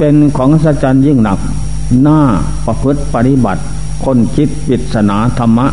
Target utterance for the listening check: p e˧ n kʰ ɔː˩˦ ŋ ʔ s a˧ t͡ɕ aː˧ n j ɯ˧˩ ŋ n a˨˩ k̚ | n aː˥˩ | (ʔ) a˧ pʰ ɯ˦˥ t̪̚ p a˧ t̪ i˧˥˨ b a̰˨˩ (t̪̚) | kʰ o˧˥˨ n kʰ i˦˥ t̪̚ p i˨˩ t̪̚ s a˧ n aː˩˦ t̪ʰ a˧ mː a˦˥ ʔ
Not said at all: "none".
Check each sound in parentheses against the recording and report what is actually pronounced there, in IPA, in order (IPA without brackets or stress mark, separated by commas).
p, t̪̚